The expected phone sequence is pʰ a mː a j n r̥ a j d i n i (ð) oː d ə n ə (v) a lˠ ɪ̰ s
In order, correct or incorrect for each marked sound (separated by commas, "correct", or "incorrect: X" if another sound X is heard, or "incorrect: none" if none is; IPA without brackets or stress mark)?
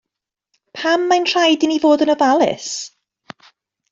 incorrect: v, correct